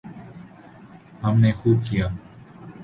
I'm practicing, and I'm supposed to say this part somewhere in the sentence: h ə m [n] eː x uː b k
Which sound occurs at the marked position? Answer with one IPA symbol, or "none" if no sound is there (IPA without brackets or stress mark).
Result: n